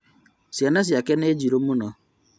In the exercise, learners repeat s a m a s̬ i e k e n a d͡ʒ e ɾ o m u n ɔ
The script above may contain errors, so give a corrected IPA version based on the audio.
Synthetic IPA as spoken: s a n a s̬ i a k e n e d͡ʒ i ɾ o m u n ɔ